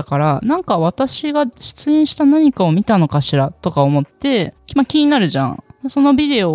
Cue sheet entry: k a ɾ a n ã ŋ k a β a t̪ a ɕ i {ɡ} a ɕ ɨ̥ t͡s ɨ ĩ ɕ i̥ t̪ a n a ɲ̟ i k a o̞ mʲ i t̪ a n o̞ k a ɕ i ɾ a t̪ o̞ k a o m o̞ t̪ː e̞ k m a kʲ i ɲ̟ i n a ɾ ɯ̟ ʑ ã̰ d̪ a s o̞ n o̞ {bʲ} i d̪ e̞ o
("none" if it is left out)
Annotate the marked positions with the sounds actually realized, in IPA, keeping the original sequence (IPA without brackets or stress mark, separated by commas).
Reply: ɡ, bʲ